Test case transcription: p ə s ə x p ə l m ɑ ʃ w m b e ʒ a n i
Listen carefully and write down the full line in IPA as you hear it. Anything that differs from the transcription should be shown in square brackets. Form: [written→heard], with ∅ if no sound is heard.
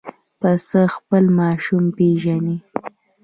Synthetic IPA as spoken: p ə s ə x p ə l m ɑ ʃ [w→u] m [b→p] e ʒ a n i